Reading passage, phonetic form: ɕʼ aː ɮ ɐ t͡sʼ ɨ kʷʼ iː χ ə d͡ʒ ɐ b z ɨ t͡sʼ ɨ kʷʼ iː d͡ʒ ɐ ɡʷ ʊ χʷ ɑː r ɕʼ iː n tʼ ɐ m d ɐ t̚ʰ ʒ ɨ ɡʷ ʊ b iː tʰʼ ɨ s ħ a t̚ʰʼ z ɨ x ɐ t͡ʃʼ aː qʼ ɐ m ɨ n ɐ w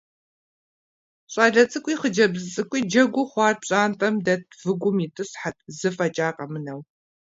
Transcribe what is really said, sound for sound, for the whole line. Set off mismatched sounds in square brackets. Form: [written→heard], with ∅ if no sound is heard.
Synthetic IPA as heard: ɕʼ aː ɮ ɐ t͡sʼ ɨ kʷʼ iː χ ə d͡ʒ ɐ b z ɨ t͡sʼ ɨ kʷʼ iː d͡ʒ ɐ ɡʷ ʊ χʷ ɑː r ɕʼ [iː→aː] n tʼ ɐ m d ɐ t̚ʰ [ʒ→v] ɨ ɡʷ ʊ [b→m] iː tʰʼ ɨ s ħ a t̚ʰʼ z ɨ [x→f] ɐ t͡ʃʼ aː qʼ ɐ m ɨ n ɐ w